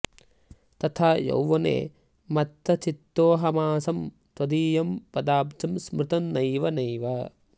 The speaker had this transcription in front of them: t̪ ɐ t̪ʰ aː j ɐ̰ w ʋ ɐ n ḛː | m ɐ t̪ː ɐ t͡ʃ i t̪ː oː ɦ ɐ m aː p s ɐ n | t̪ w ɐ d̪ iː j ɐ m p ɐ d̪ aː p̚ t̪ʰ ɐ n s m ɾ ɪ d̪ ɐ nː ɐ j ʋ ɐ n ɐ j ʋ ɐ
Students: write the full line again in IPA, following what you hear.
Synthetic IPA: t̪ ɐ t̪ʰ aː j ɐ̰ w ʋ ɐ n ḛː | m ɐ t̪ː ɐ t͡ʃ i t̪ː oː ɦ ɐ m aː s ɐ m | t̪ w ɐ d̪ iː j ɐ m p ɐ d̪ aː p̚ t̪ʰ ɐ m s m ɾ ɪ t̪ ɐ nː ɐ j ʋ ɐ n ɐ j ʋ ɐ

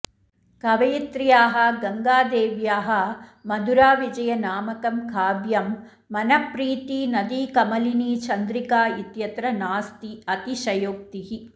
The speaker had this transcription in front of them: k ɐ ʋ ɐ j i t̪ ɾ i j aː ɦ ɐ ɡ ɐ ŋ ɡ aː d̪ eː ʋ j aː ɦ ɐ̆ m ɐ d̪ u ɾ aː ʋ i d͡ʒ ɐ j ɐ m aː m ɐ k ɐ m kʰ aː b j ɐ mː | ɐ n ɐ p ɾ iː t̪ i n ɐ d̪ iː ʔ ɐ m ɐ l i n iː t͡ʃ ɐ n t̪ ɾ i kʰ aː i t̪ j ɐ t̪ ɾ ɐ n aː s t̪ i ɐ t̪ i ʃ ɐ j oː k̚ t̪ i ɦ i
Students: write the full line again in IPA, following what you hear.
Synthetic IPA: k ɐ ʋ ɐ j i t̪ ɾ i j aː ɦ ɐ ɡ ɐ ŋ ɡ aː d̪ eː ʋ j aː ɦ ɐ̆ m ɐ d̪ u ɾ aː ʋ i d͡ʒ ɐ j ɐ n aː m ɐ k ɐ m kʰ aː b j ɐ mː | ɐ n ɐ p ɾ iː t̪ i n ɐ d̪ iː k ɐ m ɐ l i n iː t͡ʃ ɐ n d̪ ɾ i k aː i t̪ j ɐ t̪ ɾ ɐ n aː s t̪ i ɐ t̪ i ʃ ɐ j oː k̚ t̪ i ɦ i

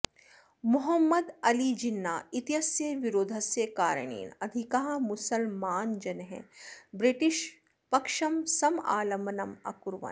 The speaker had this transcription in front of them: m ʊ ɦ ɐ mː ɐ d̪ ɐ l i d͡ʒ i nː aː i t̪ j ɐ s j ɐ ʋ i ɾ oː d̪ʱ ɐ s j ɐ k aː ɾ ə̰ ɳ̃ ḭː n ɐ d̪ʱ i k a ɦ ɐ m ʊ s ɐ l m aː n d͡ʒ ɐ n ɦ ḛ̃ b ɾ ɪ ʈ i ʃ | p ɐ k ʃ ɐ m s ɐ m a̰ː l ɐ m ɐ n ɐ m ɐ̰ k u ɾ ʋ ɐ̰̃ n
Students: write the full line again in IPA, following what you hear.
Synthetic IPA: m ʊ ɦ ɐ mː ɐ d̪ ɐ l i d͡ʒ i nː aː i t̪ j ɐ s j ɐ ʋ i ɾ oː d̪ʱ ɐ s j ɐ k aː ɾ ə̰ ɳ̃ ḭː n ɐ d̪ʱ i k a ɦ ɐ m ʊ s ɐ l m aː n d͡ʒ ɐ n ɦ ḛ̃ b ɾ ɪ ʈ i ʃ | p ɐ k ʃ ɐ m s ɐ m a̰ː l ɐ m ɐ n ɐ m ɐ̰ k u ɾ ʋ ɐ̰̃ n

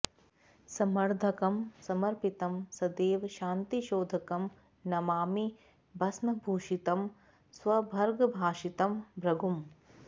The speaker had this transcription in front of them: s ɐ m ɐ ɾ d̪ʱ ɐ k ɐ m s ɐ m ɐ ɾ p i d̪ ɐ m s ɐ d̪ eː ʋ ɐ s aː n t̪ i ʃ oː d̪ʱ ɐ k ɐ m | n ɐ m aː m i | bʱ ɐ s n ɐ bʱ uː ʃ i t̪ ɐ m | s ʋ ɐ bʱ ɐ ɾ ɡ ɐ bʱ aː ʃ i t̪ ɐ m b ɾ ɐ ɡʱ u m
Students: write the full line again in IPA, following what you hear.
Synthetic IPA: s ɐ m ɐ ɾ d̪ʱ ɐ k ɐ m s ɐ m ɐ ɾ p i t̪ ɐ m s ɐ d̪ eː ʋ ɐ ʃ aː n t̪ i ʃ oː d̪ʱ ɐ k ɐ m | n ɐ m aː m i | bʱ ɐ s n ɐ bʱ uː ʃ i t̪ ɐ m | s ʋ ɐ bʱ ɐ ɾ ɡ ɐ bʱ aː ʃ i t̪ ɐ m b ɾ ɐ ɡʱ u m

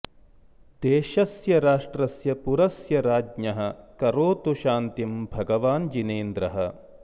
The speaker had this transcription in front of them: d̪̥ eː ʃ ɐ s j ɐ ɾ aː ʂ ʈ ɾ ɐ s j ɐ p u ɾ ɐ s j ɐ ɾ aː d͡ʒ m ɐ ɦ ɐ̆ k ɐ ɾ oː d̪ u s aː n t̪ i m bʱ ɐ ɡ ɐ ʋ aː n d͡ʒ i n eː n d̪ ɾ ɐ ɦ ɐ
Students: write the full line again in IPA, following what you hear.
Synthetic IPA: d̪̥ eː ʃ ɐ s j ɐ ɾ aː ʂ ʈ ɾ ɐ s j ɐ p u ɾ ɐ s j ɐ ɾ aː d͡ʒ ɲ ɐ ɦ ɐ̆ k ɐ ɾ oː t̪ u ʃ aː n t̪ i m bʱ ɐ ɡ ɐ ʋ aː n d͡ʒ i n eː n d̪ ɾ ɐ ɦ ɐ

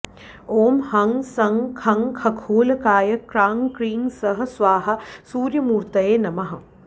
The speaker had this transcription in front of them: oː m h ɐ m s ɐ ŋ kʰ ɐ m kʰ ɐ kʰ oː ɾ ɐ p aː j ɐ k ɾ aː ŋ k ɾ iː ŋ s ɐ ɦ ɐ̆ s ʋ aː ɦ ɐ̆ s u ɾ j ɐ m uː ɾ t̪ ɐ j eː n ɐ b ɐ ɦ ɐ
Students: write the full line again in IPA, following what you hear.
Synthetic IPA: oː m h ɐ ŋ s ɐ ŋ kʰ ɐ ŋ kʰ ɐ kʰ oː l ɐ k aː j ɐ k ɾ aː ŋ k ɾ iː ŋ s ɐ ɦ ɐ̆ s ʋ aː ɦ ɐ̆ s uː ɾ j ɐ m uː ɾ t̪ ɐ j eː n ɐ m ɐ ɦ ɐ

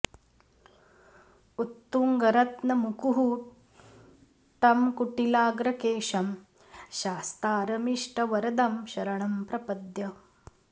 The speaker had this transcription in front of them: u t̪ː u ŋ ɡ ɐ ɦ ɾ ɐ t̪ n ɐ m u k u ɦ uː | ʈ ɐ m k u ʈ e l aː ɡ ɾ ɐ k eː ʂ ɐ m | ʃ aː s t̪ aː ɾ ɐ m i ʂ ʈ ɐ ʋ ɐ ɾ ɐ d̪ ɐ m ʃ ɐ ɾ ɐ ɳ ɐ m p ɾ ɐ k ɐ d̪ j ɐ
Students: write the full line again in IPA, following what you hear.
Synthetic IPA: u t̪ː u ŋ ɡ ɐ ɾ ɐ t̪ n ɐ m u k u ɦ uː | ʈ ɐ m k u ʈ i l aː ɡ ɾ ɐ k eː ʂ ɐ m | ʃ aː s t̪ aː ɾ ɐ m i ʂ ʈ ɐ ʋ ɐ ɾ ɐ d̪ ɐ m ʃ ɐ ɾ ɐ ɳ ɐ m p ɾ ɐ p ɐ d̪ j ɐ

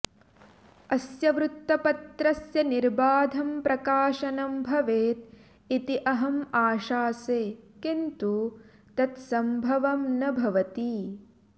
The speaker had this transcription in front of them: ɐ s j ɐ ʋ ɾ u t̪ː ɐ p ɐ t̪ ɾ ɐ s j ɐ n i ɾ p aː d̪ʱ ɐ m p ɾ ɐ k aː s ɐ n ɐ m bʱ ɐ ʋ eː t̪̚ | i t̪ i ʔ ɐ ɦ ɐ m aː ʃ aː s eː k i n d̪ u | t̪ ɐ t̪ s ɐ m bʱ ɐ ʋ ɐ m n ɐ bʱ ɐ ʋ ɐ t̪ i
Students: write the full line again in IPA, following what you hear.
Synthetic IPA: ɐ s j ɐ ʋ ɾ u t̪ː ɐ p ɐ t̪ ɾ ɐ s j ɐ n i ɾ b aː d̪ʱ ɐ m p ɾ ɐ k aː ʃ ɐ n ɐ m bʱ ɐ ʋ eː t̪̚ | i t̪ i ʔ ɐ ɦ ɐ m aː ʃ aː s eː k i n t̪ u | t̪ ɐ t̪ s ɐ m bʱ ɐ ʋ ɐ m n ɐ bʱ ɐ ʋ ɐ t̪ i

